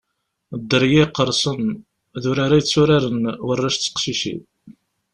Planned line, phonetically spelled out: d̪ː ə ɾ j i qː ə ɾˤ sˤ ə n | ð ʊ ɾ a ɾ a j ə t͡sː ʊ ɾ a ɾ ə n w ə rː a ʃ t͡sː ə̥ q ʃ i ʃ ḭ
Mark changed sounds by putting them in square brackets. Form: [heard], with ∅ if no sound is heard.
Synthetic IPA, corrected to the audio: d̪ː ə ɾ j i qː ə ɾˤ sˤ ə n | ð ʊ ɾ a ɾ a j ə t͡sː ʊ ɾ a ɾ ə n w ə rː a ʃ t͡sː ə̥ q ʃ i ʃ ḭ